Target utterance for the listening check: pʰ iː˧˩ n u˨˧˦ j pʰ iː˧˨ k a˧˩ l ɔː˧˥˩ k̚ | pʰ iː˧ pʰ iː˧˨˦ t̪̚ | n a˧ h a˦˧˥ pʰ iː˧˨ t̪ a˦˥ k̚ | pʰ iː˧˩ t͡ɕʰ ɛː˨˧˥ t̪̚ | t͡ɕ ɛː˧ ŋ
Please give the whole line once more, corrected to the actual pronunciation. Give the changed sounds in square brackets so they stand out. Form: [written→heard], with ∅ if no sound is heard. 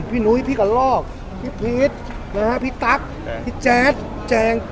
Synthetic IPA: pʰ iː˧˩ n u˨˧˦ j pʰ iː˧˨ k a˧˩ l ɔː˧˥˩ k̚ | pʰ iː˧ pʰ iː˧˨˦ t̪̚ | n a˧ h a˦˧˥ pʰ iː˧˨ t̪ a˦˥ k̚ | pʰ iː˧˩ [t͡ɕʰ→t͡ɕ] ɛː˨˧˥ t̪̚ | t͡ɕ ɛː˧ ŋ